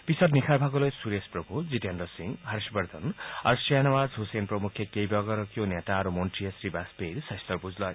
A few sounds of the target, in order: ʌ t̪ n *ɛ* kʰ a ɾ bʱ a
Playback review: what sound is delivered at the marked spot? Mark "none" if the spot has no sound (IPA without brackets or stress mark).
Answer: i